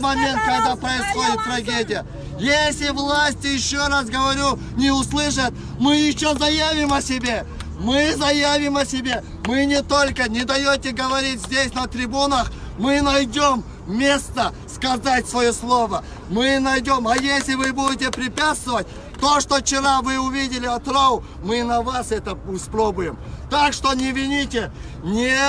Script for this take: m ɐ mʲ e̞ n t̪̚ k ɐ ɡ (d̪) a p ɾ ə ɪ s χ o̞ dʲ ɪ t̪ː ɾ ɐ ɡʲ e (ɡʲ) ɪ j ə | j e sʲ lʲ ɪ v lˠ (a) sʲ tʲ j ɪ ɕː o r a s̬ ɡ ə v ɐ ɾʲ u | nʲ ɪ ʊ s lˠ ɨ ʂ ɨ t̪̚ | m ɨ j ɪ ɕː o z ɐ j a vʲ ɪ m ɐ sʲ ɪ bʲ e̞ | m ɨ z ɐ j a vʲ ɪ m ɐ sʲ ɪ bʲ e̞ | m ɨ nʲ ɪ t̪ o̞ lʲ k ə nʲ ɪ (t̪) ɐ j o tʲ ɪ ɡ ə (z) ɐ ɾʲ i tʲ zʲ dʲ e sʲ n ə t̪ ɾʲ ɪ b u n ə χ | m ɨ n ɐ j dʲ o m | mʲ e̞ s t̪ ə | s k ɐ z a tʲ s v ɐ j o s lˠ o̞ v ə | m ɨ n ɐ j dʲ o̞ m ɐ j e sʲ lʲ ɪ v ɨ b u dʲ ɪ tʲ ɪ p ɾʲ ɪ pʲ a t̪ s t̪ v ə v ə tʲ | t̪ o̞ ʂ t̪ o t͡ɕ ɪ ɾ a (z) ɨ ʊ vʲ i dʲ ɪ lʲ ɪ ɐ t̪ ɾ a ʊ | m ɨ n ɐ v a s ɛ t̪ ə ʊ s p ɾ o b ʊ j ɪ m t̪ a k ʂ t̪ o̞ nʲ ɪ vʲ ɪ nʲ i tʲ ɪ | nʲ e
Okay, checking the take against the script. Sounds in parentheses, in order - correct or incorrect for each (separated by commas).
correct, incorrect, correct, incorrect, incorrect, incorrect